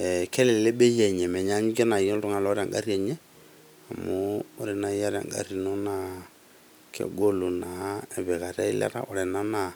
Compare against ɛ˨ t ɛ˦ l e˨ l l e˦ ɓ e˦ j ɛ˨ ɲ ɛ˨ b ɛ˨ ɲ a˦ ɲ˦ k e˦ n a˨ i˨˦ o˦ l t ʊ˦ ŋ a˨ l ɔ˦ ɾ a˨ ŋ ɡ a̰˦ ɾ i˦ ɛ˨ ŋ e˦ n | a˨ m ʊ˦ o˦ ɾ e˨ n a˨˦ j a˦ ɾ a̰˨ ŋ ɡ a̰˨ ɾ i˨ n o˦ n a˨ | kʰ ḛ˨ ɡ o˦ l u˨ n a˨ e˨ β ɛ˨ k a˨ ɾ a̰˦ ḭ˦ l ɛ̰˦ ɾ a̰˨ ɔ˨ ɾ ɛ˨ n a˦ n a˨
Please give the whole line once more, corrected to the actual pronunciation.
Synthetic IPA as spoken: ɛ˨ k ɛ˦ l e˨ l l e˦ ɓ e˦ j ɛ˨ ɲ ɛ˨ m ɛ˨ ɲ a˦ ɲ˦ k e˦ n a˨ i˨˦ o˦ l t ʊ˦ ŋ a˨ l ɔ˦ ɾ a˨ ŋ ɡ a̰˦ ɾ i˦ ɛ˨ ɲ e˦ | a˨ m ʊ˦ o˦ ɾ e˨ n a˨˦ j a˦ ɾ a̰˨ ŋ ɡ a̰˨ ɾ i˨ n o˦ n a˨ | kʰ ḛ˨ ɡ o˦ l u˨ n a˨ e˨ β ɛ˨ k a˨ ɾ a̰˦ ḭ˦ l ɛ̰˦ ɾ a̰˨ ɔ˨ ɾ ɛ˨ n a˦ n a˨